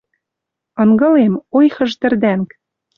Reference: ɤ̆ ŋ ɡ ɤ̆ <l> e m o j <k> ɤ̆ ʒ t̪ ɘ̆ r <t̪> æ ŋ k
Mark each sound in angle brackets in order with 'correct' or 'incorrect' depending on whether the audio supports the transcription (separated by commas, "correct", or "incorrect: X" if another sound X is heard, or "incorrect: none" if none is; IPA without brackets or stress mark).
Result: correct, incorrect: x, incorrect: d̪